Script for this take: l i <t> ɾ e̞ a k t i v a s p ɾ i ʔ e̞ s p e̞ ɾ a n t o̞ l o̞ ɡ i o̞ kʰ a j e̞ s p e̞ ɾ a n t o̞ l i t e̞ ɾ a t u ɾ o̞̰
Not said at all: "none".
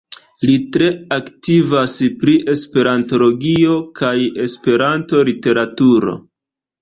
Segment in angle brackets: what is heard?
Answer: t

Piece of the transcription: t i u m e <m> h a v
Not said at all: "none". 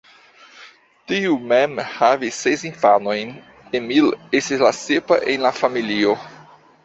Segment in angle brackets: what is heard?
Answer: m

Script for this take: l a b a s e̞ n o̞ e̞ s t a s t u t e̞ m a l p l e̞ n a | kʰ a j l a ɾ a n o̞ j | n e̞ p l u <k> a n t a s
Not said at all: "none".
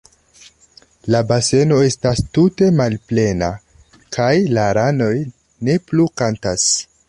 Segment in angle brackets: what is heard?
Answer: k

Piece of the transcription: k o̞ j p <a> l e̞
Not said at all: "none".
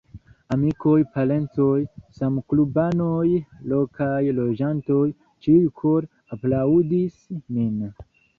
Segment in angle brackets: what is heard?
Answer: a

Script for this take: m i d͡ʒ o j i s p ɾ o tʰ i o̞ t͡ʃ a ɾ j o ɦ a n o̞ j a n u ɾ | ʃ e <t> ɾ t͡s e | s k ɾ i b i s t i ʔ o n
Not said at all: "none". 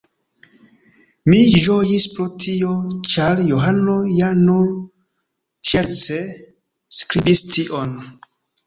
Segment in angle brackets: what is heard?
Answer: none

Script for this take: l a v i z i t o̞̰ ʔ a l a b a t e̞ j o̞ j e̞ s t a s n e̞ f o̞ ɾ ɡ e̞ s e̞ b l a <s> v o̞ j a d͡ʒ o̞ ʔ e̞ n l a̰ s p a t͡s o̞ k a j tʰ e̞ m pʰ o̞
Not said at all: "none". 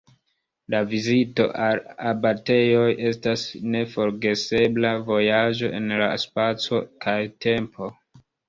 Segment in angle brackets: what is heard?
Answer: none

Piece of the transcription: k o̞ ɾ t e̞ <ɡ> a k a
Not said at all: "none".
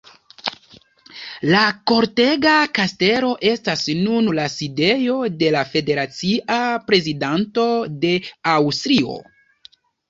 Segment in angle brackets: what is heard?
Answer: ɡ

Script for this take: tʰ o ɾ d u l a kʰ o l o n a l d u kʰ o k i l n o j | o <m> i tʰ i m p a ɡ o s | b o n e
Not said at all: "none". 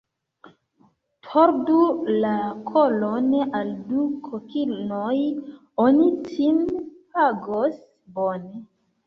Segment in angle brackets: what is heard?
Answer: n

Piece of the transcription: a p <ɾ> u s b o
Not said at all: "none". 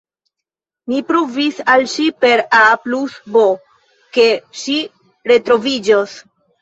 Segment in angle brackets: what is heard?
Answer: l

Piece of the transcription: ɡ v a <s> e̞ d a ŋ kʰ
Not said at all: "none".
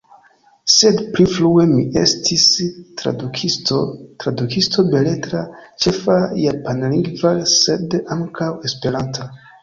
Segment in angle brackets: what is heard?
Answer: s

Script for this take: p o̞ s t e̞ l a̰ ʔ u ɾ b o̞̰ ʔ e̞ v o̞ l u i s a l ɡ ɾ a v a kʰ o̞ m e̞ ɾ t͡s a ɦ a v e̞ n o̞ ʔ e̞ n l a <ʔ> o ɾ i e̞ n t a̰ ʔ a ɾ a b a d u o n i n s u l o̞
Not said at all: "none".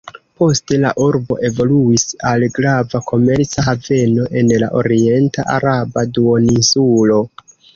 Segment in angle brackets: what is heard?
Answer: ʔ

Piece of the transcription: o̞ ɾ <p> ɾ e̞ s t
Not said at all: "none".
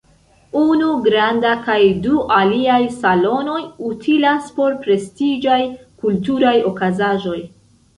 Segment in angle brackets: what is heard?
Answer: p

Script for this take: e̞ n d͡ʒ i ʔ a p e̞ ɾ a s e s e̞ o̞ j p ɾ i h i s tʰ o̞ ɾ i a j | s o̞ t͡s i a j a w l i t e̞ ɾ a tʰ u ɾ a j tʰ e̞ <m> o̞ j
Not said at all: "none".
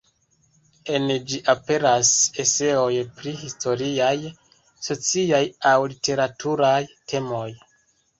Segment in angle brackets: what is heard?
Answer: m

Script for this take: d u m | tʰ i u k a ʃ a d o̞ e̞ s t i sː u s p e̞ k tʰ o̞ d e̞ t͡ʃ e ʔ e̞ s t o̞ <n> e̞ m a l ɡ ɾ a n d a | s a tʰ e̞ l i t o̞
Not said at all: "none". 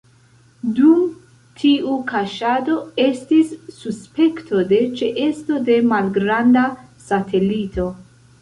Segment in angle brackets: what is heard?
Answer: d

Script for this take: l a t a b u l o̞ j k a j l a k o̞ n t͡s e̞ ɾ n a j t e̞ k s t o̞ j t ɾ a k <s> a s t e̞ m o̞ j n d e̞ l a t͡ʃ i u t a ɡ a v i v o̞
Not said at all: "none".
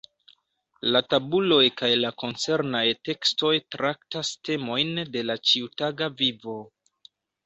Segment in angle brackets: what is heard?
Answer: t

